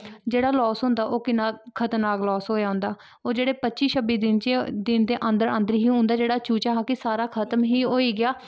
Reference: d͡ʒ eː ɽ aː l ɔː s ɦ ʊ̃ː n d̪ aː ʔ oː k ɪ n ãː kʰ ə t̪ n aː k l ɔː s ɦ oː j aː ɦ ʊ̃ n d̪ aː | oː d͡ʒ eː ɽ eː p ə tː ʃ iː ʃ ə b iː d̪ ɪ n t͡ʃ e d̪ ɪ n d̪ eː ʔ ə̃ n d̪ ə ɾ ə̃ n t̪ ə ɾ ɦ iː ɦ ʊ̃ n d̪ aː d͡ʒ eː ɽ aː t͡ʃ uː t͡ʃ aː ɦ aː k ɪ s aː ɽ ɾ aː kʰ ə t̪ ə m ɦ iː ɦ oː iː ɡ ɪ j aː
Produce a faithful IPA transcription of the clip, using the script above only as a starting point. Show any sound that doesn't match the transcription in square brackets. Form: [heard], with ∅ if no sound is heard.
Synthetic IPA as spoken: d͡ʒ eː ɽ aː l ɔː s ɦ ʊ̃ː n d̪ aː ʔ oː k ɪ n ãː kʰ ə t̪ n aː k l ɔː s ɦ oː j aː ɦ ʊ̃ n d̪ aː | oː d͡ʒ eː ɽ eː p ə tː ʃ iː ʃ ə b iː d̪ ɪ n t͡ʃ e d̪ ɪ n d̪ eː ʔ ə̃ n d̪ ə ɾ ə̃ n [d̪] ə ɾ ɦ iː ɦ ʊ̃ n d̪ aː d͡ʒ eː ɽ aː t͡ʃ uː t͡ʃ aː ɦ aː k ɪ s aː [∅] ɾ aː kʰ ə t̪ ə m ɦ iː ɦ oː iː ɡ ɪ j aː